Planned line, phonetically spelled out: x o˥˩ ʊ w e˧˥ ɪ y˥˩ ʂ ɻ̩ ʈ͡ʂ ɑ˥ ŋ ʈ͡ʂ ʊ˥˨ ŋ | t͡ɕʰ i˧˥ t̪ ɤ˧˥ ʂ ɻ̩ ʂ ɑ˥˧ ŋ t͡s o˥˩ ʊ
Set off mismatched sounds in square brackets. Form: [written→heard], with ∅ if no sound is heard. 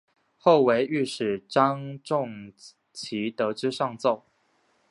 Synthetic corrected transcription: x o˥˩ ʊ w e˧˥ ɪ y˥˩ ʂ ɻ̩ ʈ͡ʂ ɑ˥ ŋ ʈ͡ʂ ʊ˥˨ ŋ | t͡ɕʰ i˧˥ t̪ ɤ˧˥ [ʂ→ʈ͡ʂ] ɻ̩ ʂ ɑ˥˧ ŋ t͡s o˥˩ ʊ